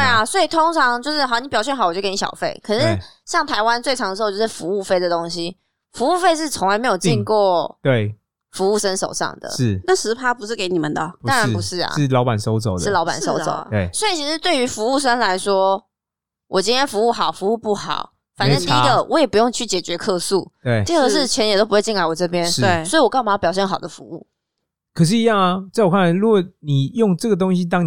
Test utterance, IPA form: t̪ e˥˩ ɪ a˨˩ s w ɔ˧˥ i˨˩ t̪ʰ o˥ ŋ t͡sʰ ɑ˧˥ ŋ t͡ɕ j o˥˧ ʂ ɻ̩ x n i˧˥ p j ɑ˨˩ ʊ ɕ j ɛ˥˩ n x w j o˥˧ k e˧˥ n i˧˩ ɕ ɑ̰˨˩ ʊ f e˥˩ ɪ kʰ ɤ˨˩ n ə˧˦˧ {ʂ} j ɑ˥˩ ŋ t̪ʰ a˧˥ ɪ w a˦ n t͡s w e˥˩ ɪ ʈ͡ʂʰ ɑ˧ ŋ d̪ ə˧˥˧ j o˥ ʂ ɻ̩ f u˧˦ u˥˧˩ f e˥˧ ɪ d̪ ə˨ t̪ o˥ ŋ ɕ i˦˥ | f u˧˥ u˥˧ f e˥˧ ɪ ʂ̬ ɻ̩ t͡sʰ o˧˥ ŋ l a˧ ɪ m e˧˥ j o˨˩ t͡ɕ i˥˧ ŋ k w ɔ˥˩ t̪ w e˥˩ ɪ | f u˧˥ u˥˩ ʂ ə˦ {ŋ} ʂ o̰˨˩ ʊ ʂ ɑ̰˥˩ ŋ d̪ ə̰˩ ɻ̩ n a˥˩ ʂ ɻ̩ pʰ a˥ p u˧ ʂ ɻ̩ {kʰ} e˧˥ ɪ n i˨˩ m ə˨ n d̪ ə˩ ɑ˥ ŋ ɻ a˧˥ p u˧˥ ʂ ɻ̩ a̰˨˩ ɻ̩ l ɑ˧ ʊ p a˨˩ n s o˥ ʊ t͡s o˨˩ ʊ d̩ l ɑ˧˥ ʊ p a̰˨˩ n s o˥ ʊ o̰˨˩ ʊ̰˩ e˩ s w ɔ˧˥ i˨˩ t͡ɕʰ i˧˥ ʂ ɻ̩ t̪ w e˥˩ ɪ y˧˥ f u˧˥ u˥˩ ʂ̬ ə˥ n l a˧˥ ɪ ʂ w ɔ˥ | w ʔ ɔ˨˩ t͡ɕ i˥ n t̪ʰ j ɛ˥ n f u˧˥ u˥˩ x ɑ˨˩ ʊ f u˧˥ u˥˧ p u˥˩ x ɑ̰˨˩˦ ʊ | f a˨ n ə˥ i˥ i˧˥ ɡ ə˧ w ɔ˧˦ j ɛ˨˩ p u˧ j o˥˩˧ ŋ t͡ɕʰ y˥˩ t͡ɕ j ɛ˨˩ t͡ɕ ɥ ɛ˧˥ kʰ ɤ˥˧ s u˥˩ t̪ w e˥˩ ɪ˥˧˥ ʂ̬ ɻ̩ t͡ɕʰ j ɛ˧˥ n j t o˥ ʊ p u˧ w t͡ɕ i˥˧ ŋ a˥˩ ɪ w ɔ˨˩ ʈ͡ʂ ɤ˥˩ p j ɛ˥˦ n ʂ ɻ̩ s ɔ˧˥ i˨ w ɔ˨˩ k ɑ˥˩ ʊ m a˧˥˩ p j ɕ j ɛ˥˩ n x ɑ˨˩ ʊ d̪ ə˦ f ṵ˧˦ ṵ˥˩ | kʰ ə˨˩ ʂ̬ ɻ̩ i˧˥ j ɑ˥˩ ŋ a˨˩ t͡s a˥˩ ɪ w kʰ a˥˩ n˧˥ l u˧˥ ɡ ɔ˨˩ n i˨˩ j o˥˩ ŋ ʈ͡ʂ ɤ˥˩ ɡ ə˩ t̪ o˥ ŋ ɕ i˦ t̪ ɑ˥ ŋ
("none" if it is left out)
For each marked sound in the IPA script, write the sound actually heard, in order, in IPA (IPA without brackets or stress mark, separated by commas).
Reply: ɕ, n, k